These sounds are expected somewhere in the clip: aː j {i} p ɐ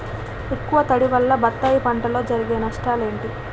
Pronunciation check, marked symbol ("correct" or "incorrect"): correct